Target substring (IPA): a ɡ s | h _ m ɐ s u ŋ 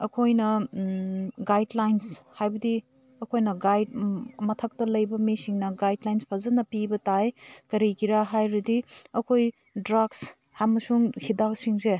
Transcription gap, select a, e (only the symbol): a